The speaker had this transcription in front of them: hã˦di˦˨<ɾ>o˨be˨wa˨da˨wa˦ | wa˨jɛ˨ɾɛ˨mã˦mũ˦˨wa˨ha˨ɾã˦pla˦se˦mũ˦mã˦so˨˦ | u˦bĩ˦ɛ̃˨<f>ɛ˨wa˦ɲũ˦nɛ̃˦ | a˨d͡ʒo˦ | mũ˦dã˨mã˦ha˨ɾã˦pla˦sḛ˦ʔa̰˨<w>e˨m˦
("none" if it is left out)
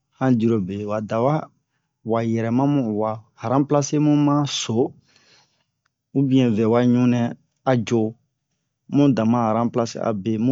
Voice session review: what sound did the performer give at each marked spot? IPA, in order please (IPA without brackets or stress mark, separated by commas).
ɾ, v, b